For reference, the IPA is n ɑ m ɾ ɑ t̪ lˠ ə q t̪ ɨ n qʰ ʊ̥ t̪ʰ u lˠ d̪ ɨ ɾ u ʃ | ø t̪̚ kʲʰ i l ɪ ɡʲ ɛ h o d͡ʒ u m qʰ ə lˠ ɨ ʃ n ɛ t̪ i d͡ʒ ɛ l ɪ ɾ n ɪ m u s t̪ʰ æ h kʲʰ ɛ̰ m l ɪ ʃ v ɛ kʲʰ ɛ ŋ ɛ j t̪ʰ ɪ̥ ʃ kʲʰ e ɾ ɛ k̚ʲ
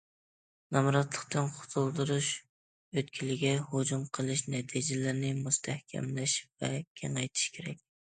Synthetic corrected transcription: n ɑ m ɾ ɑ t̪ lˠ ə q t̪ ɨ n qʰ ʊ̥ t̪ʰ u lˠ d̪ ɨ ɾ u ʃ | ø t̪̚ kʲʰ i l ɪ ɡʲ ɛ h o d͡ʒ u m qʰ ə lˠ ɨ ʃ n ɛ t̪ʰ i d͡ʒ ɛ l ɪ ɾ n ɪ m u s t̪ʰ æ h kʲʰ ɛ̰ m l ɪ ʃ v ɛ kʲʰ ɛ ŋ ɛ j t̪ʰ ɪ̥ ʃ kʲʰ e ɾ ɛ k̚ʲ